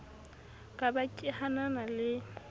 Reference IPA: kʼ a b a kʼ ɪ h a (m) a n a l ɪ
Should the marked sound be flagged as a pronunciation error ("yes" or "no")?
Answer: yes